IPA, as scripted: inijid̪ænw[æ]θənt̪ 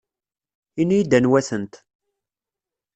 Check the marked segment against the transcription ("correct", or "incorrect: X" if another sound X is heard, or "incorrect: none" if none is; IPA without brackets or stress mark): correct